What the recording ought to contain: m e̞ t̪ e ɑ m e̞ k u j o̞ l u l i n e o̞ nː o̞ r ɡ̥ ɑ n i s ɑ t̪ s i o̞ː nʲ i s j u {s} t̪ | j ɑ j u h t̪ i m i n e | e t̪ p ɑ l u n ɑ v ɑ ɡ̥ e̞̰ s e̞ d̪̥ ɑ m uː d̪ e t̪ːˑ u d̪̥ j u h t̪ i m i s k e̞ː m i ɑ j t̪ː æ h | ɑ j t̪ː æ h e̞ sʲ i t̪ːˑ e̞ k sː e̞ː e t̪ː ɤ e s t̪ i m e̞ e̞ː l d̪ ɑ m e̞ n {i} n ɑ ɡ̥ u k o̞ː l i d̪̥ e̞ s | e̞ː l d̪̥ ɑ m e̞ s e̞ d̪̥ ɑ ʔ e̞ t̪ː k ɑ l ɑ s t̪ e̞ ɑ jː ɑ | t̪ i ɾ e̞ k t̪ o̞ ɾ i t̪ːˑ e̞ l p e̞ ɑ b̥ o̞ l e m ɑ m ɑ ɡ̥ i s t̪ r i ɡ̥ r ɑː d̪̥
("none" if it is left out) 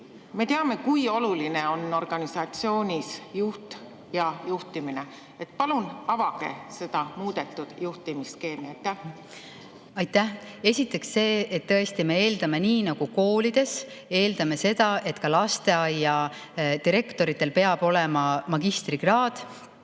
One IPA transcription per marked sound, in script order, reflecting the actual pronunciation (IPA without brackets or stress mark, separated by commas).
h, iː